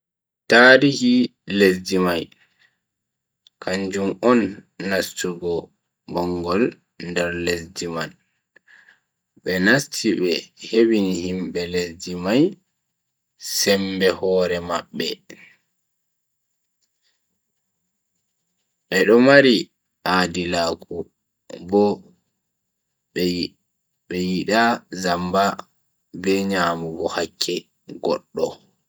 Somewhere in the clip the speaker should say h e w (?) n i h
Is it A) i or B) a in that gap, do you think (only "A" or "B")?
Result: A